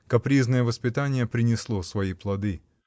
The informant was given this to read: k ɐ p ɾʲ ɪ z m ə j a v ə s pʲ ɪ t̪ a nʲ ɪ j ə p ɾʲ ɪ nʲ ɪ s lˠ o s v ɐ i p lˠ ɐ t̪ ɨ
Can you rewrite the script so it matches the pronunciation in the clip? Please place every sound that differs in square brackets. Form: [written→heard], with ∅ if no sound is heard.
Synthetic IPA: k ɐ p ɾʲ [ɪ→i] z [m→n] ə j [a→ə] v ə s pʲ ɪ t̪ a nʲ ɪ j ə p ɾʲ ɪ nʲ ɪ s lˠ o s v ɐ i p lˠ ɐ [t̪→d̪] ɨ